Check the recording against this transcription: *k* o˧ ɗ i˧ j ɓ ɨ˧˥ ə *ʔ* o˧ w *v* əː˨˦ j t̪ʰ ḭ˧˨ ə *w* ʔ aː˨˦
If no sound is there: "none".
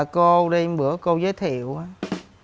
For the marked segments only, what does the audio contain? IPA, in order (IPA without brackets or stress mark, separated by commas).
k, k, z, w